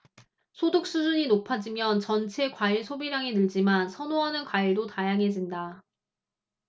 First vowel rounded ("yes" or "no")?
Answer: yes